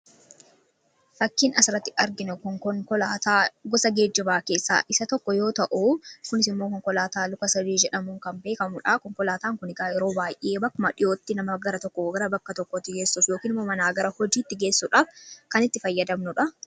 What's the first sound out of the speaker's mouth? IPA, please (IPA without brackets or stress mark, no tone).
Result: f